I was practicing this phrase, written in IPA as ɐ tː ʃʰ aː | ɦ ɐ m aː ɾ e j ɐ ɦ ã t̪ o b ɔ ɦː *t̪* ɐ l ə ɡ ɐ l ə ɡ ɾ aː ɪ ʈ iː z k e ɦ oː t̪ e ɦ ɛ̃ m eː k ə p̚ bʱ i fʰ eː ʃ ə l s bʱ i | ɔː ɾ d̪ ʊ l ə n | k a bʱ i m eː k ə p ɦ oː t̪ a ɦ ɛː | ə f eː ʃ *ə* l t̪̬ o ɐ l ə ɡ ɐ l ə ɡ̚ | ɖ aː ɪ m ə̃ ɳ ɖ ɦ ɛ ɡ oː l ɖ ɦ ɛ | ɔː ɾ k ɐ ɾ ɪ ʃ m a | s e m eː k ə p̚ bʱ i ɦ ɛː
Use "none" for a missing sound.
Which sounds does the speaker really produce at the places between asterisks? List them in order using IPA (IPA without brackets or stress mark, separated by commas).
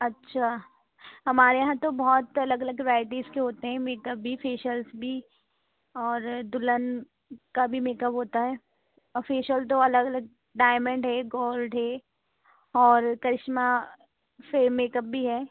t̪, ə